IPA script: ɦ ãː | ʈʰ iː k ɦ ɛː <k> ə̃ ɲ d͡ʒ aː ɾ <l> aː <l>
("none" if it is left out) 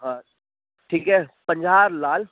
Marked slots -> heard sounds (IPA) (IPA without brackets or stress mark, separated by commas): p, l, l